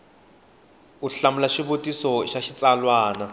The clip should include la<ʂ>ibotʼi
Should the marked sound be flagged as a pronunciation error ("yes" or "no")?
yes